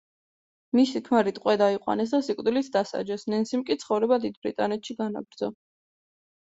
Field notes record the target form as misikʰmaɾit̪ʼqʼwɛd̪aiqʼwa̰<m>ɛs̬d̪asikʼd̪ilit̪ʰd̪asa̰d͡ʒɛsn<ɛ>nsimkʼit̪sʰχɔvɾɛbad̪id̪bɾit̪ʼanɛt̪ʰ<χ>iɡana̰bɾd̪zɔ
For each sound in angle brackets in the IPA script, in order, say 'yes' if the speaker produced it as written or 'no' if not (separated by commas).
no, yes, no